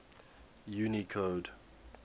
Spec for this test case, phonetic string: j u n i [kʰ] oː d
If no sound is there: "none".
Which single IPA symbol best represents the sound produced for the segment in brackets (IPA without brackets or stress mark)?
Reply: kʰ